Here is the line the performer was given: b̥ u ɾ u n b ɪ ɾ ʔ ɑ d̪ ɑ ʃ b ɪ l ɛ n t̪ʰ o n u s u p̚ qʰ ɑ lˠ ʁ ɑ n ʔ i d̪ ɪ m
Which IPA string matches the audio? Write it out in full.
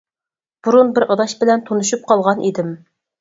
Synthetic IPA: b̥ u ɾ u n b ɪ ɾ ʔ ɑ d̪ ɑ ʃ b ɪ l ɛ n t̪ʰ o n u ʃ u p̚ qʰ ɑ lˠ ʁ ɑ n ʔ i d̪ ɪ m